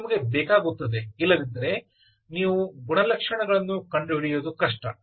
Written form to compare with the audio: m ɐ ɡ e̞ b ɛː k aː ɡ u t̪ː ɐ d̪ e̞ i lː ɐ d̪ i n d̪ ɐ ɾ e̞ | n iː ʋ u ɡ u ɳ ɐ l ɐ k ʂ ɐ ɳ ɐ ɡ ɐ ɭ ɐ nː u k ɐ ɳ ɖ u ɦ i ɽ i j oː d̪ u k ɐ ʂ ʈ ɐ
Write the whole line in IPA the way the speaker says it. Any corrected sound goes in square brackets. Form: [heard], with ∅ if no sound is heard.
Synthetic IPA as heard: m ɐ ɡ e̞ b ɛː k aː ɡ u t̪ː ɐ d̪ e̞ i lː ɐ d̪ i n d̪ ɐ ɾ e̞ | n iː ʋ u ɡ u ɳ ɐ l ɐ k ʂ ɐ ɳ ɐ ɡ ɐ ɭ ɐ nː u k ɐ ɳ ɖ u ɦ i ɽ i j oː d̪ u k ɐ ʂ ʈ ɐ